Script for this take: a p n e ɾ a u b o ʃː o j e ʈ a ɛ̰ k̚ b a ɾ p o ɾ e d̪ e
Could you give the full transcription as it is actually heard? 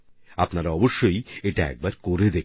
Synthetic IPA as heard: a p n a ɾ a ɔ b o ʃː o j e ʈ a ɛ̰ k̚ b a ɾ k o ɾ e d̪ e